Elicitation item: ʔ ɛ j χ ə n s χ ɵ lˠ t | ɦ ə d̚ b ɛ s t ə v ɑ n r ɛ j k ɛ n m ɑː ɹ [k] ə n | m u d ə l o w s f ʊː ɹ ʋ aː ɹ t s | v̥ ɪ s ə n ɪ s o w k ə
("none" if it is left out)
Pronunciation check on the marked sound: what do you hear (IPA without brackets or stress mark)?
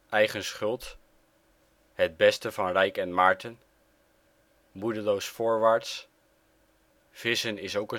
t